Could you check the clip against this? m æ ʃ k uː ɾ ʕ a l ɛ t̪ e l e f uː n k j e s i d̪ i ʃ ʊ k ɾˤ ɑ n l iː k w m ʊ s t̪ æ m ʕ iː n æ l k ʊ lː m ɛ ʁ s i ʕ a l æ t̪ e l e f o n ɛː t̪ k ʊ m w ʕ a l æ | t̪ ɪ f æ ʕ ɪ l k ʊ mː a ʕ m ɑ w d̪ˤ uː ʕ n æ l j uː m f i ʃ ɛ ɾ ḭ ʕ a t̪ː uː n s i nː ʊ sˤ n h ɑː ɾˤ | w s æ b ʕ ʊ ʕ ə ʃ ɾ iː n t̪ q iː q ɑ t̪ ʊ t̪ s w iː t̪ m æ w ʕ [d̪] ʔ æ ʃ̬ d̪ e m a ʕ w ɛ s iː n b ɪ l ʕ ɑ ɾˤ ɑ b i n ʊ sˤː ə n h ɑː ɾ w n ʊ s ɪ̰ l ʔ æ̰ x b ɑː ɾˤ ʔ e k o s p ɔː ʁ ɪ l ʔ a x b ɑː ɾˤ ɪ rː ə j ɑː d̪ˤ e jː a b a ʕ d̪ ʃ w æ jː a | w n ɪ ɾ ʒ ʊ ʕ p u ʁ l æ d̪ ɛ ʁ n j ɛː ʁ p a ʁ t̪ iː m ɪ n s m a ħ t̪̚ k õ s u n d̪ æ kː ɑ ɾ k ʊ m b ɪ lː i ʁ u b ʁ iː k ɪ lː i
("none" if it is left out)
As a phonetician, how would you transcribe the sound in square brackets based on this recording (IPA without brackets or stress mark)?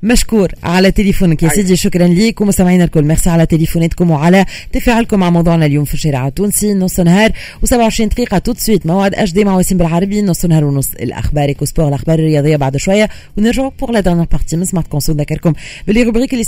d̪